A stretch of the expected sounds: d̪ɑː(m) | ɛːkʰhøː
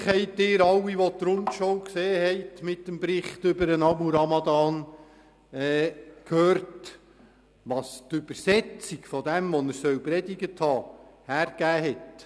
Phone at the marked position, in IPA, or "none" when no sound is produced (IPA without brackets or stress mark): n